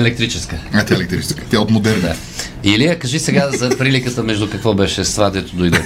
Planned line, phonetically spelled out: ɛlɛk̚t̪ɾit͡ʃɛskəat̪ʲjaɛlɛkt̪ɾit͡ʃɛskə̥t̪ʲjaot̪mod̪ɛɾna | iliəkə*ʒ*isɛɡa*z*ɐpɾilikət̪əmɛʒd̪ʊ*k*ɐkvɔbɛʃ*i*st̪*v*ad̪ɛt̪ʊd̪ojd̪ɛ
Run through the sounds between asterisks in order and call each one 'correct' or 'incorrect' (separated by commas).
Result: correct, correct, correct, incorrect, correct